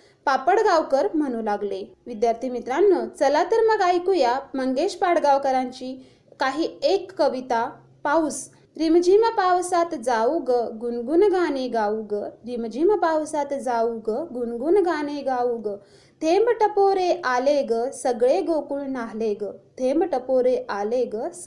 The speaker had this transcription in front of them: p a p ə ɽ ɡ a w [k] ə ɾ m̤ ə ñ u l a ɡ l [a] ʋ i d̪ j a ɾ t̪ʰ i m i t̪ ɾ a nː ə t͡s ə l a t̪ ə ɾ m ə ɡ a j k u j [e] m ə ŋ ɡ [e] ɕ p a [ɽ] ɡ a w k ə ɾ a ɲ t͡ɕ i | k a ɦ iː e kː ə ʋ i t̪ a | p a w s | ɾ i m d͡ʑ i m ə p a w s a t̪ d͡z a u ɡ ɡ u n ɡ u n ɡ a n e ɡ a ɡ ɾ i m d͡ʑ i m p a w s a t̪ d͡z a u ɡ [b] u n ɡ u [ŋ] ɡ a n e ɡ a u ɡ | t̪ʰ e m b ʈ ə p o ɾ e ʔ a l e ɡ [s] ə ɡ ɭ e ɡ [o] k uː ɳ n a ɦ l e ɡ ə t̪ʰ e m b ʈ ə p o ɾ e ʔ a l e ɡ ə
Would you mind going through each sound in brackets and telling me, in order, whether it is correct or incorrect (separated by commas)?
correct, incorrect, incorrect, correct, correct, incorrect, incorrect, correct, correct